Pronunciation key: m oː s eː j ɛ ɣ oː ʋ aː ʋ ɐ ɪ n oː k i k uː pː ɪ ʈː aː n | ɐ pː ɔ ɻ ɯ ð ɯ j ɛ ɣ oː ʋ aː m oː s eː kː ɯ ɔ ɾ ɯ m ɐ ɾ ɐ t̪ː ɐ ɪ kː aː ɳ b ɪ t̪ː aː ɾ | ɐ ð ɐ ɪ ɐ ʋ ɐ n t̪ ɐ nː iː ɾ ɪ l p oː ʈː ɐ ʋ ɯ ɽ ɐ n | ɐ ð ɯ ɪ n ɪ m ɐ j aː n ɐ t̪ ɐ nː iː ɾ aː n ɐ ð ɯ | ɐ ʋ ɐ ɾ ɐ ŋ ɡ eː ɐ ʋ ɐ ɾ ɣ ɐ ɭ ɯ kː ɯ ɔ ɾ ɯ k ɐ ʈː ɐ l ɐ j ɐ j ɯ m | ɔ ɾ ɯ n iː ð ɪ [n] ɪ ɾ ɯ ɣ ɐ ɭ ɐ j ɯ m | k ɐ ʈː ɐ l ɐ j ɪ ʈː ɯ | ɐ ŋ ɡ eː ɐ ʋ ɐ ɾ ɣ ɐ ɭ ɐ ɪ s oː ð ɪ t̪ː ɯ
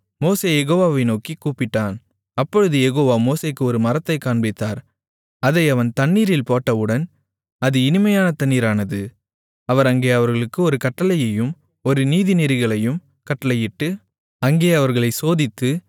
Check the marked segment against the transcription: correct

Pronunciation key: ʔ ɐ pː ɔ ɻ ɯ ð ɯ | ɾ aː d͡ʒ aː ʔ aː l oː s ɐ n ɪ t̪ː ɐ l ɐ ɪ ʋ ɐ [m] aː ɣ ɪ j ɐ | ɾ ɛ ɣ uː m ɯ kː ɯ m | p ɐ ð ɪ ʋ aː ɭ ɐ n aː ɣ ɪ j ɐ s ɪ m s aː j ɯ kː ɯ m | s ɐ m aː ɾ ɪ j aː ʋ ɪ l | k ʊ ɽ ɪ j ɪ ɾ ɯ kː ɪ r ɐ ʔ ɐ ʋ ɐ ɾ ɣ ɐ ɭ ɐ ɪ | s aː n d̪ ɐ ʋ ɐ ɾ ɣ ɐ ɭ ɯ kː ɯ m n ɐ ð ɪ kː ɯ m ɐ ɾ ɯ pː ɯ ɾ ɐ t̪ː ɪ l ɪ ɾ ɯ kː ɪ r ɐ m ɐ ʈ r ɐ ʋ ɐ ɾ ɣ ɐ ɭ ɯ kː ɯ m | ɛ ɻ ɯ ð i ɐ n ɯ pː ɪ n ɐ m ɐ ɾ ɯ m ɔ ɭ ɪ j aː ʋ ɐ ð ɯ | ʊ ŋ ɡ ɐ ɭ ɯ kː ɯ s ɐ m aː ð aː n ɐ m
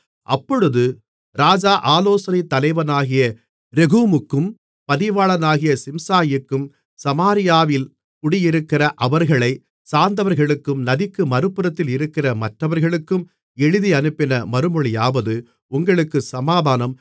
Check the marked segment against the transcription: incorrect: n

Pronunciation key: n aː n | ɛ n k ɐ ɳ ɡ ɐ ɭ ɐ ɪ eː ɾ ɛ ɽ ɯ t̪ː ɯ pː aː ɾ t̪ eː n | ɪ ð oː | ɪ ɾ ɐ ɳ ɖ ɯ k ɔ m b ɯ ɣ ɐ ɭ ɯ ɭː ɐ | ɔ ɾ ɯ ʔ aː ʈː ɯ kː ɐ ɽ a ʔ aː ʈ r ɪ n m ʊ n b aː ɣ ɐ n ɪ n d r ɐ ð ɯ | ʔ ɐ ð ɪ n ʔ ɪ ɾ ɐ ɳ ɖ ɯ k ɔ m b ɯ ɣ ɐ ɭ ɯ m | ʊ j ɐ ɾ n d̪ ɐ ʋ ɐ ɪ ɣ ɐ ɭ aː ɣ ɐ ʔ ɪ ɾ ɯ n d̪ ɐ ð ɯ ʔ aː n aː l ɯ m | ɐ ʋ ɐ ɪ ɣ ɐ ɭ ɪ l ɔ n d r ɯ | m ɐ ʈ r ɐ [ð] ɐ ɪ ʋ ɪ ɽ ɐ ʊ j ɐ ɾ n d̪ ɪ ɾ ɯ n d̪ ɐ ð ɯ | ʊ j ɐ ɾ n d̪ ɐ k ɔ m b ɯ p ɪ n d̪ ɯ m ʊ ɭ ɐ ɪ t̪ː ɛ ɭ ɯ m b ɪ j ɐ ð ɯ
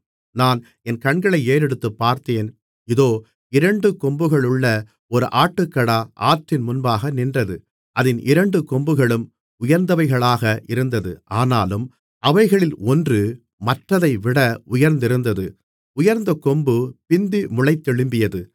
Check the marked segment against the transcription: correct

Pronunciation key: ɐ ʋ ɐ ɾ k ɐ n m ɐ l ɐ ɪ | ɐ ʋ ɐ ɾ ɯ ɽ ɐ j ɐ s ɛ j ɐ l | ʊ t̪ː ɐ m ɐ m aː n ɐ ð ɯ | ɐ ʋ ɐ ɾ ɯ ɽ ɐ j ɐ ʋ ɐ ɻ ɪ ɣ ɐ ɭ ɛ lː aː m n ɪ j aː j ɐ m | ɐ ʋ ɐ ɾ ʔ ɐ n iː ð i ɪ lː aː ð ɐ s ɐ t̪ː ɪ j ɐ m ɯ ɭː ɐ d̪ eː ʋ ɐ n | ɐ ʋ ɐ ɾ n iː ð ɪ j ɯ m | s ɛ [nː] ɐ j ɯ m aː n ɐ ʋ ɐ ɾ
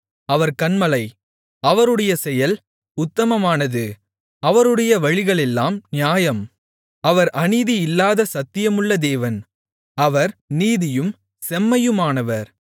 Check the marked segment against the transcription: incorrect: mː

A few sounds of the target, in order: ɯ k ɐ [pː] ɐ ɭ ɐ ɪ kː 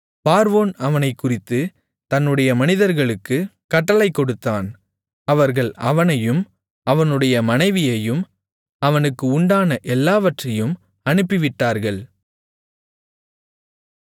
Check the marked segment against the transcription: incorrect: ʈː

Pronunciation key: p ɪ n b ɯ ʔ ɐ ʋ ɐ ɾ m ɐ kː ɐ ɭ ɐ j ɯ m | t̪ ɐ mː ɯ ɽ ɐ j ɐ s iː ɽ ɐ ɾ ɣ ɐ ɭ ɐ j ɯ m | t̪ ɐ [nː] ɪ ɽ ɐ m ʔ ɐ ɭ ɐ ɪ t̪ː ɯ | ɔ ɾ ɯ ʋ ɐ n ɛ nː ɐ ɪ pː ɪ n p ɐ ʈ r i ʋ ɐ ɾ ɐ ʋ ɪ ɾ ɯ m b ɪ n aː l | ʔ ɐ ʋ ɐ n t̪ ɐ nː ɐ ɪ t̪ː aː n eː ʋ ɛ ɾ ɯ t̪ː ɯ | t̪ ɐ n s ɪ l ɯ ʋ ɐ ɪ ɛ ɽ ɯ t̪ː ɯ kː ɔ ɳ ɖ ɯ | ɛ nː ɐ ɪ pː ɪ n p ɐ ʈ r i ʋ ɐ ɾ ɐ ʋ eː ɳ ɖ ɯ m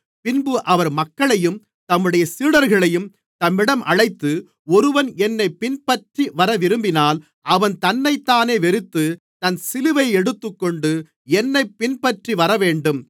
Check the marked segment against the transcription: incorrect: mː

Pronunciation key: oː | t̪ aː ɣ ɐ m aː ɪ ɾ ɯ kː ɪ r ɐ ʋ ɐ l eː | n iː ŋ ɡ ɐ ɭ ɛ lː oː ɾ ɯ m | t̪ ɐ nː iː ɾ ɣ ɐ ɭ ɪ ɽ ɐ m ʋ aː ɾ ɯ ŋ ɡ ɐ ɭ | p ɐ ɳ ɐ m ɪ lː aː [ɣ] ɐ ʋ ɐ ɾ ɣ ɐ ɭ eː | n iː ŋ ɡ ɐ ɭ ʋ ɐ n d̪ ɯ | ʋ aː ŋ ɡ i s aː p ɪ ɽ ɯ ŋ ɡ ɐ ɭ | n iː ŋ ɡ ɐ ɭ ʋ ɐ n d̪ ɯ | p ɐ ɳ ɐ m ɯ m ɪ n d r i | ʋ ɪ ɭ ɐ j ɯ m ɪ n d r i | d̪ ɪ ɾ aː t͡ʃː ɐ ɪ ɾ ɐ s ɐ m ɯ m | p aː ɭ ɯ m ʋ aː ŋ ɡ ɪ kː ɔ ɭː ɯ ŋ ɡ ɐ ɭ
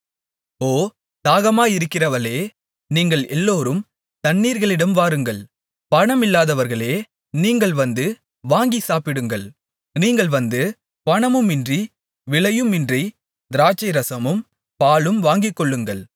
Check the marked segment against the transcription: incorrect: ð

